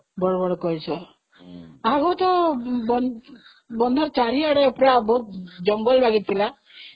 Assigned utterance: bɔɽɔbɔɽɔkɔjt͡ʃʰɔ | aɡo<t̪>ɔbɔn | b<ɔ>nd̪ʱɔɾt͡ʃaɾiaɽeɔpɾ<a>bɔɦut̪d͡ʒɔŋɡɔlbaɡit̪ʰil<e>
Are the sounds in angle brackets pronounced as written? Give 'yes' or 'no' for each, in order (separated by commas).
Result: yes, yes, yes, no